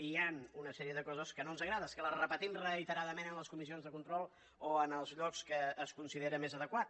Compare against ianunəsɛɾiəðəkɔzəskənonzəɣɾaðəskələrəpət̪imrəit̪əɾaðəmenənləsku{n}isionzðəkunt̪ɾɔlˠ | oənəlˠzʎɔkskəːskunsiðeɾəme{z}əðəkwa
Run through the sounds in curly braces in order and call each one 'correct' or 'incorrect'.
incorrect: m, correct

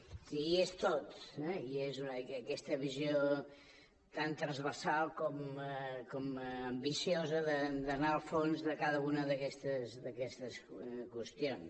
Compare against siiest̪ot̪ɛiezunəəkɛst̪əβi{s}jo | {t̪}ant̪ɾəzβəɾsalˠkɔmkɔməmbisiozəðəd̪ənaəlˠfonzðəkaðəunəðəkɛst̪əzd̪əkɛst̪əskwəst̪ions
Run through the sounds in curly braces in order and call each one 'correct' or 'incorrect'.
incorrect: z, correct

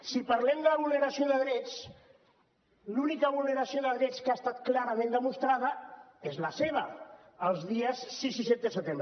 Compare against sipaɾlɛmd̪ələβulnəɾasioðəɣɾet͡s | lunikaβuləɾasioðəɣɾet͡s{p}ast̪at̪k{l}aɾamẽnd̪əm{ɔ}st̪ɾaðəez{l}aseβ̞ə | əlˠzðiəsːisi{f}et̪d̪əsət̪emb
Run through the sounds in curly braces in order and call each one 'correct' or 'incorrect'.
incorrect: k, correct, incorrect: u, correct, incorrect: s

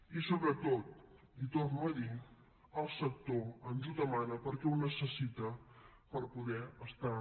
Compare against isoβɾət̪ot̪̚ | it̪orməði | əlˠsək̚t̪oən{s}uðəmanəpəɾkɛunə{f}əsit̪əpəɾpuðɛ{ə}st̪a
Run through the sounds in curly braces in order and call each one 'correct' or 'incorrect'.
incorrect: z, incorrect: s, correct

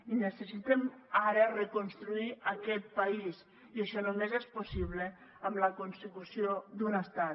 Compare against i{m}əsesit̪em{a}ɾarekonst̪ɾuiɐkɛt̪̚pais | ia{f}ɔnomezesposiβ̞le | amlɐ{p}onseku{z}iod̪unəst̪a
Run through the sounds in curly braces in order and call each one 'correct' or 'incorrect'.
incorrect: n, correct, incorrect: ʃ, incorrect: k, incorrect: s

